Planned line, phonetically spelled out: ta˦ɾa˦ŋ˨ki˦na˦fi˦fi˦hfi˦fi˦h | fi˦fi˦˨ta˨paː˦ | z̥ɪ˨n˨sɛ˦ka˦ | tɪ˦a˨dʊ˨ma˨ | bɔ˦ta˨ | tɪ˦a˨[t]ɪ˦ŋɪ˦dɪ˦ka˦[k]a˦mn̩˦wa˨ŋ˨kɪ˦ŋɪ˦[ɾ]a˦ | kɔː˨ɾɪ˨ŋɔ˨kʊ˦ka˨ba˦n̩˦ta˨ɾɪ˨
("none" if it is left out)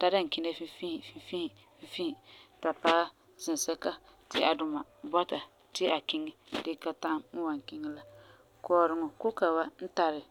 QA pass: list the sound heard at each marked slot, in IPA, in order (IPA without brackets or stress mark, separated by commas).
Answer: k, t, l